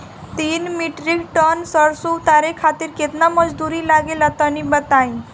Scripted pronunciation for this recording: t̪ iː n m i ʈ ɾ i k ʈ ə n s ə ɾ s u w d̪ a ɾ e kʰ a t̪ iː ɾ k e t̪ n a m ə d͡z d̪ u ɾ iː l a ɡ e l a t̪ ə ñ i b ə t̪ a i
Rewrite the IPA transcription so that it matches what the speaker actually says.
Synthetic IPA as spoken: t̪ iː n m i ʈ ɾ i k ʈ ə n s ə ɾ s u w t̪ a ɾ e kʰ a t̪ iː ɾ k e t̪ n a m ə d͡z d̪ u ɾ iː l a ɡ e l a t̪ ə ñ i b ə t̪ a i